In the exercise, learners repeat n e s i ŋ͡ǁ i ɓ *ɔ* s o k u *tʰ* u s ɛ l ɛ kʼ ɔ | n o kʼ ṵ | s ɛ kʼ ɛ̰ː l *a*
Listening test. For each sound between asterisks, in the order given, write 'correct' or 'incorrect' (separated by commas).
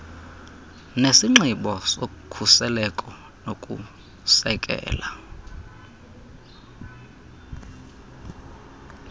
correct, incorrect, correct